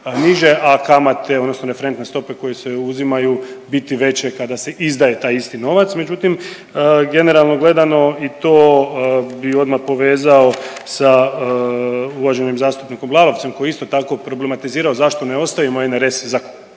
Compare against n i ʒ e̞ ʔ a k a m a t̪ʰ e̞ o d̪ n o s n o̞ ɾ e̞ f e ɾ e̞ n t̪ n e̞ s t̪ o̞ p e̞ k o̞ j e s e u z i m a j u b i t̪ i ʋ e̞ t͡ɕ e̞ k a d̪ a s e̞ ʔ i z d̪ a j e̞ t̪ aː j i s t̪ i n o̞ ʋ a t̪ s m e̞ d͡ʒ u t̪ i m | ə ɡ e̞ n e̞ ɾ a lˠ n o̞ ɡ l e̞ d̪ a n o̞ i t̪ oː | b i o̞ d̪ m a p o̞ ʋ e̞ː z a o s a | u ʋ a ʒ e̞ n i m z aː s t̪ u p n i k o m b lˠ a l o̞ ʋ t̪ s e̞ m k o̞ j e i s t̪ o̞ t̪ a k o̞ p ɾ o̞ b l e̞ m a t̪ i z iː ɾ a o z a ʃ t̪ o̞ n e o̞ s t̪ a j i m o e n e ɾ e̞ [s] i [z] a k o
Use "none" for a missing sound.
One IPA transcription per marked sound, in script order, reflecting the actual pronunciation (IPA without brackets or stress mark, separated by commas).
s, z